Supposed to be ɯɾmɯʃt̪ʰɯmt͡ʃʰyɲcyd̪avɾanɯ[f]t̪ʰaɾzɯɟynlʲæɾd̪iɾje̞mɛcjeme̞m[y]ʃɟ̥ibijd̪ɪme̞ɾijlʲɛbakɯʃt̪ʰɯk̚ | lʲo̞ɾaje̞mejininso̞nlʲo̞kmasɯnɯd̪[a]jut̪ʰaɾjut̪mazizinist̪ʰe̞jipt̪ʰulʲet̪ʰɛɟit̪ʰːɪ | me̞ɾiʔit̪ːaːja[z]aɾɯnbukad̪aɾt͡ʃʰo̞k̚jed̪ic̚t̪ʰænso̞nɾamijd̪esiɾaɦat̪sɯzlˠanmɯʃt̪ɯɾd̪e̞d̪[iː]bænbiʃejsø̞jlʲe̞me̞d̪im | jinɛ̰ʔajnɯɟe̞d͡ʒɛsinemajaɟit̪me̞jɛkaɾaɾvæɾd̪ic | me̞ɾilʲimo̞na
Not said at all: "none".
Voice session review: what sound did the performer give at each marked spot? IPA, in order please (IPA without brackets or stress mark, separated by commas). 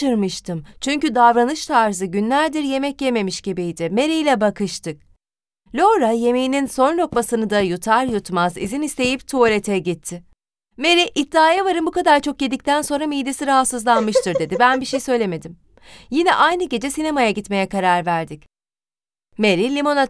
ʃ, i, a, v, i